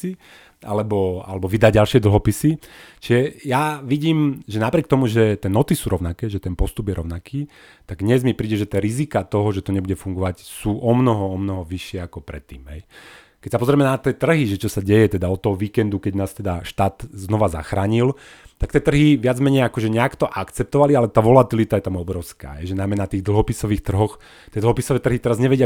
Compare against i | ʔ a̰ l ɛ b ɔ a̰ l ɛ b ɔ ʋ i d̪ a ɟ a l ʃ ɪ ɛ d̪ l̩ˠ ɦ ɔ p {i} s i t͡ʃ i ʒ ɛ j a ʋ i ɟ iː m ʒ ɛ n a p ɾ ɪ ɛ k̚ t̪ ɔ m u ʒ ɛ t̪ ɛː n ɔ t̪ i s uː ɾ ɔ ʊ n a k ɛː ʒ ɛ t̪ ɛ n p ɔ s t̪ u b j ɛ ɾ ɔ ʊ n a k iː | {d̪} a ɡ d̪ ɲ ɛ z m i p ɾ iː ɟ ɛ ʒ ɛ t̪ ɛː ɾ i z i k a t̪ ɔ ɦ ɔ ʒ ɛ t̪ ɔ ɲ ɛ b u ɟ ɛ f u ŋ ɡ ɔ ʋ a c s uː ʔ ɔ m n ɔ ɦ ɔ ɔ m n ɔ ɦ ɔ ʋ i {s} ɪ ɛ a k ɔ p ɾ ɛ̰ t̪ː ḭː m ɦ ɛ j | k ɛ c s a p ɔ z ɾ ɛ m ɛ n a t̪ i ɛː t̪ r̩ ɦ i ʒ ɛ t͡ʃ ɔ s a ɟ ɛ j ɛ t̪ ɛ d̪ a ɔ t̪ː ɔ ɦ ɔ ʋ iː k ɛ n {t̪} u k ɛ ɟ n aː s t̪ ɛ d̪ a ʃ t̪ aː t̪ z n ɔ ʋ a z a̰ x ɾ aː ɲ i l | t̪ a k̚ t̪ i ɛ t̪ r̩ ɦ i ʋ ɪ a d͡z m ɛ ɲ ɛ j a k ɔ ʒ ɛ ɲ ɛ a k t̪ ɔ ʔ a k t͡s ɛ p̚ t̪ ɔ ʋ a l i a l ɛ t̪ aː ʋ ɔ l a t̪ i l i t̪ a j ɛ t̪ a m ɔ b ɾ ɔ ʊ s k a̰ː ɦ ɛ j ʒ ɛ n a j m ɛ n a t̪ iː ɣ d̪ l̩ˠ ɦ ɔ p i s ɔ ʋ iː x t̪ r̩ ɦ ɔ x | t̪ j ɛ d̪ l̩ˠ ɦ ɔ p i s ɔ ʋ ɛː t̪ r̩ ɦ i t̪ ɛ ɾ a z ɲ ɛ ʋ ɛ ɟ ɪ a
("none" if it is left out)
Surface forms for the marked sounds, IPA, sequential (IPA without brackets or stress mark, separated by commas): i, t̪, ʃ, d̪